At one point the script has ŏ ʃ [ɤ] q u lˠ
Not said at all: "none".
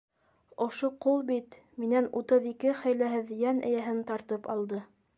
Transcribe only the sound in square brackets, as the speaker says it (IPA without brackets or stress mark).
o